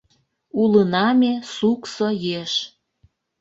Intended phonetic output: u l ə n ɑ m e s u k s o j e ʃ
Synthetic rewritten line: u l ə n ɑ m e s u k s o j e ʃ